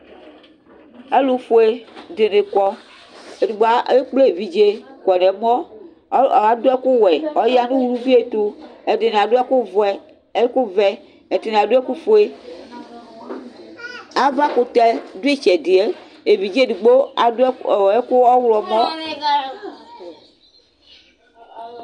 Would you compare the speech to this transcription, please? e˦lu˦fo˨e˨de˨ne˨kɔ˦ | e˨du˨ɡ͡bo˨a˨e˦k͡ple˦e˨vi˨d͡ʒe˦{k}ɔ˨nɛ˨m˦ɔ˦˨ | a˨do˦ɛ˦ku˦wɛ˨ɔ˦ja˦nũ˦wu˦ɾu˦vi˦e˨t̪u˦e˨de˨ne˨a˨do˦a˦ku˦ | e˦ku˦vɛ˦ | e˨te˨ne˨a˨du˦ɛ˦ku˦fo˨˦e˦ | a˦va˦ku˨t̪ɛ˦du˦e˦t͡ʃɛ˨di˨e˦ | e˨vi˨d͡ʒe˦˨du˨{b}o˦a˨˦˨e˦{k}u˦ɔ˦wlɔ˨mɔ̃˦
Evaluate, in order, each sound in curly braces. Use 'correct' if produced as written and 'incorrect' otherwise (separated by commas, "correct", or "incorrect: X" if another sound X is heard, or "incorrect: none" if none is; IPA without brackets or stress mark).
correct, incorrect: ɡ͡b, correct